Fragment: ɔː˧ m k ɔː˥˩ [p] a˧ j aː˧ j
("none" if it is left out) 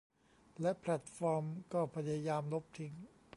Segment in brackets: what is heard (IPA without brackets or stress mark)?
pʰ